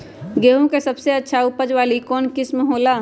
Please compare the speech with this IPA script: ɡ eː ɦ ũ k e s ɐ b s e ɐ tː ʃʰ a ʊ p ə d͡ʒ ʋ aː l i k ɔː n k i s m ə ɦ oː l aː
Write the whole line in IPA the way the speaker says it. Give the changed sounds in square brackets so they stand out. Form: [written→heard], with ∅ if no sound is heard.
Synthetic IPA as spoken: ɡ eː ɦ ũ k e s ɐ b s e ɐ tː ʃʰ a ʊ p ə d͡ʒ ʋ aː l i k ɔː n k [i→ɪ] s m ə ɦ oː l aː